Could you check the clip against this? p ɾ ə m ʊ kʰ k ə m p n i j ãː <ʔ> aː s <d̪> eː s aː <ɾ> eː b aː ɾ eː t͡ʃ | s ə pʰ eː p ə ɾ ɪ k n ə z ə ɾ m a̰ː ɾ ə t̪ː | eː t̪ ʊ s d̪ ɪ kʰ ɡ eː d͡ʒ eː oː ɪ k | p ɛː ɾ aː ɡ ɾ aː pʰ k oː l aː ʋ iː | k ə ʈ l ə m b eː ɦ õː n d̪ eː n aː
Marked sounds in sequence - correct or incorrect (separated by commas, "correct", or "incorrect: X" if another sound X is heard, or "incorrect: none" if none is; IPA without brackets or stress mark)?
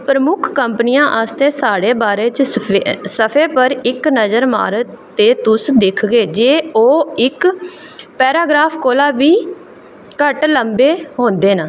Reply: correct, incorrect: t̪, incorrect: ɽ